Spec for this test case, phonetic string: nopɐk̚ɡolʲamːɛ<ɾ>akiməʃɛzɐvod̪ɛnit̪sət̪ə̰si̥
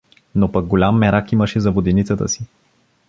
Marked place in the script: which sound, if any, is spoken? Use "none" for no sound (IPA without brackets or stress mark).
ɾ